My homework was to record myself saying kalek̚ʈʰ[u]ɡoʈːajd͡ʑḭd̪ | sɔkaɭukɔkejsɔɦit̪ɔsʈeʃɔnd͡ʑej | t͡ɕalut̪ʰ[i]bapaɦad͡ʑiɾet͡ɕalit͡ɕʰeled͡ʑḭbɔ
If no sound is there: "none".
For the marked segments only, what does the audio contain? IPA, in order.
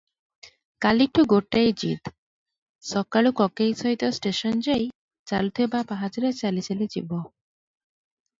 u, e

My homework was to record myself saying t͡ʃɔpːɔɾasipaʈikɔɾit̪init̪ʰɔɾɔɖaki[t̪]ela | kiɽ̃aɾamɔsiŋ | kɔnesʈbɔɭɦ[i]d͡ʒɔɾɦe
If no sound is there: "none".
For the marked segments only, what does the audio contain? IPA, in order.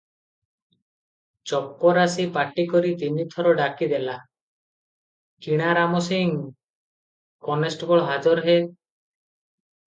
d̪, a

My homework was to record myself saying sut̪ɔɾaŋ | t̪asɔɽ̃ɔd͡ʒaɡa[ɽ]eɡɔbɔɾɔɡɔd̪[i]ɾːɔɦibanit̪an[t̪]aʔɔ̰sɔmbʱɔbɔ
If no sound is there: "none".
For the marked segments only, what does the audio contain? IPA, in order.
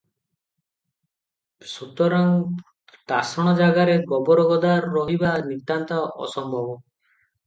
ɾ, a, t̪

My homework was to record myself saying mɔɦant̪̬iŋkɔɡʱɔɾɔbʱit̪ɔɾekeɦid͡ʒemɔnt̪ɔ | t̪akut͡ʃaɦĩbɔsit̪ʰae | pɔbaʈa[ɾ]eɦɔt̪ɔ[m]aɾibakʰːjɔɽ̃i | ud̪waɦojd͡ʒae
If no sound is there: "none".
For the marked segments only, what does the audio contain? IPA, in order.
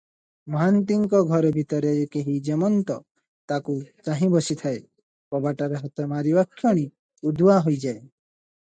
ɾ, m

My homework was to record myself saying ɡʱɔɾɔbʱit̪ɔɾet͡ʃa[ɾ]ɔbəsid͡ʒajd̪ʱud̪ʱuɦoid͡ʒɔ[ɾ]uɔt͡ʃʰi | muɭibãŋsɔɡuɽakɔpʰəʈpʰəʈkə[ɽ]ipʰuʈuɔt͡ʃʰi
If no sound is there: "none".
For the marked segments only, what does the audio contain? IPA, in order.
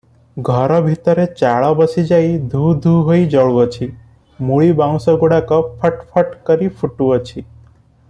ɭ, ɭ, ɾ

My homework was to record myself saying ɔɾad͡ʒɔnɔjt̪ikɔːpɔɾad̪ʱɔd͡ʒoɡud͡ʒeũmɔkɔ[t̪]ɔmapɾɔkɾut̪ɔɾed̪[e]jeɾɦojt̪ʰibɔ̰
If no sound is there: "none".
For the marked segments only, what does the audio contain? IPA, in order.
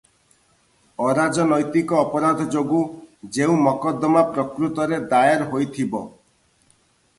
d̪, a

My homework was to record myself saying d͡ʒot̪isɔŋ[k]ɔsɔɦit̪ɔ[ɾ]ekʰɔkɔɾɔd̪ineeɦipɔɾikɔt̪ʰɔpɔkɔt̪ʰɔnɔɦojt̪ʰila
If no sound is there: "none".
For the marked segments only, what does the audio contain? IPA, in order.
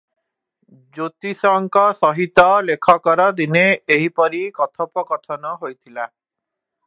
k, l

